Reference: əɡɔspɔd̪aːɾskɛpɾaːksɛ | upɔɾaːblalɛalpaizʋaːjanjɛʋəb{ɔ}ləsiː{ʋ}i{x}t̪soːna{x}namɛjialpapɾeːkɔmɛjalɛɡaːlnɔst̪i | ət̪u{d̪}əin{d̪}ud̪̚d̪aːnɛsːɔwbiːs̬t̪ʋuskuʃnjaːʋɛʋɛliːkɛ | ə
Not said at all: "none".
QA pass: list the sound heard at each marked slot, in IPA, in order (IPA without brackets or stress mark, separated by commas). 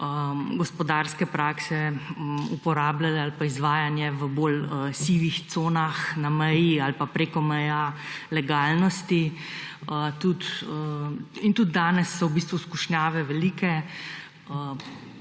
o, ʋ, x, x, t̪, t̪